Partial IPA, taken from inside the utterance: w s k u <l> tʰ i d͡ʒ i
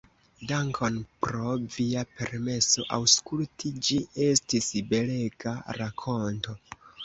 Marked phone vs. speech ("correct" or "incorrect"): correct